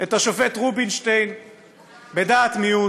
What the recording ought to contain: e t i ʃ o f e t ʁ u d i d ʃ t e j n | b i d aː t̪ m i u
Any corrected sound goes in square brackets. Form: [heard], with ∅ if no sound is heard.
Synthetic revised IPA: e t [a] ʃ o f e t ʁ u [b] i [n] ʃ t e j n | b [e] d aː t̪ m i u